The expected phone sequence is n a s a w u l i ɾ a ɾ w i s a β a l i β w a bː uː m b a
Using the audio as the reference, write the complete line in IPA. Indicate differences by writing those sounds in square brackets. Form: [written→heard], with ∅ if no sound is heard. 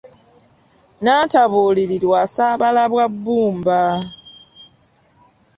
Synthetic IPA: n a [s→t] a [w→β] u l i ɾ [a→i] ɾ w [i→a] s a β a l [i→a] β w a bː uː m b a